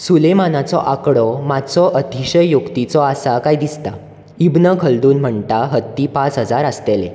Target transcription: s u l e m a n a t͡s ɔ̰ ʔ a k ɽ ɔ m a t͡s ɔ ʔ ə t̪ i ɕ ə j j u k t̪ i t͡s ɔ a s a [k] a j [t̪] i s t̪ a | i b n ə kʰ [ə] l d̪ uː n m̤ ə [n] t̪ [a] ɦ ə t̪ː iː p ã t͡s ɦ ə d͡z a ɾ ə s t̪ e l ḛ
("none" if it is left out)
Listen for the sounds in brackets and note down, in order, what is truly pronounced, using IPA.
k, d̪, ə, ɳ, a

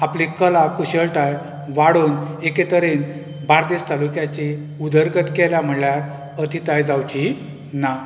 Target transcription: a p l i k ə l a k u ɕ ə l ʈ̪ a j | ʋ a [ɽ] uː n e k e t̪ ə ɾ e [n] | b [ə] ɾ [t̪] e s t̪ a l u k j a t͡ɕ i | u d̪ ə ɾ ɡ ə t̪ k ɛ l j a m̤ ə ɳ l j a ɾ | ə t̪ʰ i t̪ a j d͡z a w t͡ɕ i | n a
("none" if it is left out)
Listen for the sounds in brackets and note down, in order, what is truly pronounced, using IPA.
ɽ, n, a, d̪

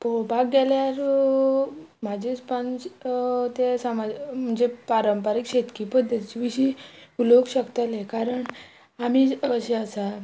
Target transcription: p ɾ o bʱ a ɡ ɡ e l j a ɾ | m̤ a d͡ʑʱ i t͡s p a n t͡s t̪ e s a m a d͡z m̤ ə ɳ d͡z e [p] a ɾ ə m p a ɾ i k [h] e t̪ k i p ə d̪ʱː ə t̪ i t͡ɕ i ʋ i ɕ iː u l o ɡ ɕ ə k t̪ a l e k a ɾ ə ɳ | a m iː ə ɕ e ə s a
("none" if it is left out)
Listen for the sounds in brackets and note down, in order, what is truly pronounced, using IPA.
p, ɕ

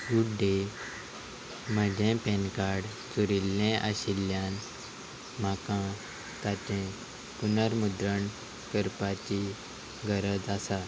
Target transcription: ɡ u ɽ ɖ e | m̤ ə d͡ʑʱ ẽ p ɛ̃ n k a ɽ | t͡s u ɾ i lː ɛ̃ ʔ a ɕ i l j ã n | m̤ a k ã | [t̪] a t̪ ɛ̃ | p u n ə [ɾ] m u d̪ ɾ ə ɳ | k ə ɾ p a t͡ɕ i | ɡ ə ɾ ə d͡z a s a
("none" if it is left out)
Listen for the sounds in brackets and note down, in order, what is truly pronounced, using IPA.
t̪, ɾ

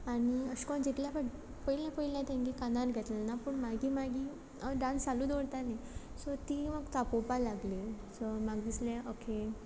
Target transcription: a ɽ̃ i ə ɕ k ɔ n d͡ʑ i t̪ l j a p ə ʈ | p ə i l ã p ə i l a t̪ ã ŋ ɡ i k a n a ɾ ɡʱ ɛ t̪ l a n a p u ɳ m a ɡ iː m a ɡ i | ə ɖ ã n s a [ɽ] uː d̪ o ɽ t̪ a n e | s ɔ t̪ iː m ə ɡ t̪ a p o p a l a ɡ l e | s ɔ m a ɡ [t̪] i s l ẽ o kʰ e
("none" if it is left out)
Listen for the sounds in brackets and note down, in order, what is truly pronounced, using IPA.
l, d̪

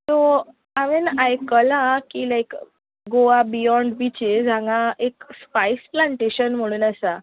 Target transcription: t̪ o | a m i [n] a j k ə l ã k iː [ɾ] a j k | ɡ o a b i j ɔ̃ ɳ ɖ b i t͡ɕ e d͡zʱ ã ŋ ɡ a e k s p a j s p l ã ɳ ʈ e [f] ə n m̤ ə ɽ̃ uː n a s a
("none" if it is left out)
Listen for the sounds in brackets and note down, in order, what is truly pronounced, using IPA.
n, l, ɕ

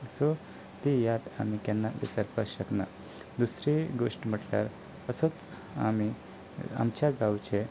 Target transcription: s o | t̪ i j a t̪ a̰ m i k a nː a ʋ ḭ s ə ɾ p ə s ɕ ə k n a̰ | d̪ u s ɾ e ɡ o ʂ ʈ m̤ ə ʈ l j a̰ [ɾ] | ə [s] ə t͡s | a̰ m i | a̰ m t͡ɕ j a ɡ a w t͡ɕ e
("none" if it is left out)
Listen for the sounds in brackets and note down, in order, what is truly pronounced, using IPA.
ɾ, s

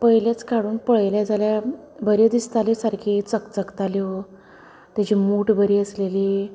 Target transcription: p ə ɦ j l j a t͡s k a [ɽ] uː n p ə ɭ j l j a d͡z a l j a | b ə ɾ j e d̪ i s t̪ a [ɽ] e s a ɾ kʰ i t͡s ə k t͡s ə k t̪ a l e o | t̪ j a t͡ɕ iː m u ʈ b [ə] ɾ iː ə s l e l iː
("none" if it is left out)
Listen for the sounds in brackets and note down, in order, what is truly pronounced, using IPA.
ɽ, l, ə

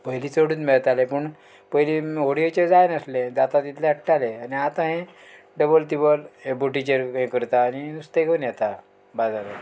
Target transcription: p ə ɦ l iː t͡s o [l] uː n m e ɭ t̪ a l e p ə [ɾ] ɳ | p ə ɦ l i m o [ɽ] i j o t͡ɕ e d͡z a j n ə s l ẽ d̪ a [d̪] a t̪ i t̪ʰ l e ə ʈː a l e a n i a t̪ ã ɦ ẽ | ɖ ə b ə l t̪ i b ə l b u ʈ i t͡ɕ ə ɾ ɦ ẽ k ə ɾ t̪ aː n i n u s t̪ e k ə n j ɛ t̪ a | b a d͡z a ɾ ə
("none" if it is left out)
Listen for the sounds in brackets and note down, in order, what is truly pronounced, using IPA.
ɽ, none, ɽ, t̪

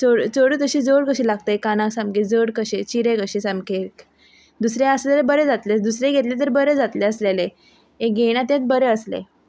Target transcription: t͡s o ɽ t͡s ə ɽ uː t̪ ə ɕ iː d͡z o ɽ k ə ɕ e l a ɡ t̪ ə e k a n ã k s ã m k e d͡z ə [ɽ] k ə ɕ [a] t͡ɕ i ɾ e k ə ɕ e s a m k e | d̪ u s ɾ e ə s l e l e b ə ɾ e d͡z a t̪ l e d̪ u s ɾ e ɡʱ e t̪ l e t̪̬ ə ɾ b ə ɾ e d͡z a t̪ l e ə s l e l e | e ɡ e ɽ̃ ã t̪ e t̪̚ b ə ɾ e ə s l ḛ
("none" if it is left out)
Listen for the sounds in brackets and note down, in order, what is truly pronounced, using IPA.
ɽ, e

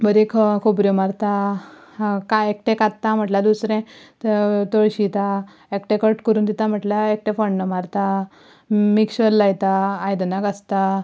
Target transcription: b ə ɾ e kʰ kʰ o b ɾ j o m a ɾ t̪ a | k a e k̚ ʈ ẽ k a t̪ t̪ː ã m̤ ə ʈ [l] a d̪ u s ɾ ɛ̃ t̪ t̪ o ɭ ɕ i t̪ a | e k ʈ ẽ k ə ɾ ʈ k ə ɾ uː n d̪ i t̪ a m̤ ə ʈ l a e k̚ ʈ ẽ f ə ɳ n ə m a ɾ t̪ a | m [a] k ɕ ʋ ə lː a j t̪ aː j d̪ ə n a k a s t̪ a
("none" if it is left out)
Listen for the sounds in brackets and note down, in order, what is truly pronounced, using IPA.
l, i

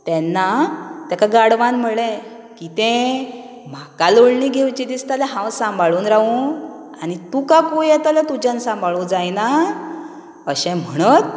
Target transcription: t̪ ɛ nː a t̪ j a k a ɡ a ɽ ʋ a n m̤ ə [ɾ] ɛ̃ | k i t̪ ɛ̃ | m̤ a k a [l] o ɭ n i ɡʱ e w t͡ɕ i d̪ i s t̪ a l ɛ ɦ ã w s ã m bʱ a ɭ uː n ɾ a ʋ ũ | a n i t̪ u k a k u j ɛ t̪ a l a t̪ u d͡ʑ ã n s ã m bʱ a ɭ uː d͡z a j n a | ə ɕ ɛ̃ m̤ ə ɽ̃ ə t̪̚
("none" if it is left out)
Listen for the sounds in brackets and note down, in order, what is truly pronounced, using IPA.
ɭ, l

